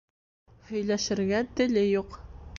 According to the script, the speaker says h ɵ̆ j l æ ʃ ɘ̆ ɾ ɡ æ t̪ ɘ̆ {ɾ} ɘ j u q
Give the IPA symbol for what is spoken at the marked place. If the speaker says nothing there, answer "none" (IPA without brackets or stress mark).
l